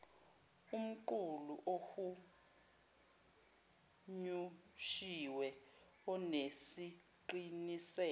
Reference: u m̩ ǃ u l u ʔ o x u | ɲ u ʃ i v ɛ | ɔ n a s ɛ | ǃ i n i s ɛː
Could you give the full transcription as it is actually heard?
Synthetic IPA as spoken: u m̩ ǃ u l u ʔ o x u | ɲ u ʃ i w ɛ | ɔ n e s i | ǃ i n i s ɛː